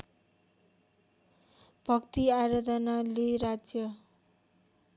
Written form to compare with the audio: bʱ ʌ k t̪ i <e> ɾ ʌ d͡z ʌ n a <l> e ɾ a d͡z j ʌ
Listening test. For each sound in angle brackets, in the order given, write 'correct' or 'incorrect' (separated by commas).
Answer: incorrect, correct